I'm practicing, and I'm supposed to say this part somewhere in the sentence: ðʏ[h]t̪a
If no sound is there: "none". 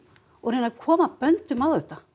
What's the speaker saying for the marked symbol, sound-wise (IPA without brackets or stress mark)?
h